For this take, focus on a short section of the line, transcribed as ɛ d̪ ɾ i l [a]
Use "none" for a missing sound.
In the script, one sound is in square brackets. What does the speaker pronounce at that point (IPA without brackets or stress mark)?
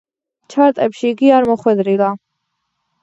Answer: a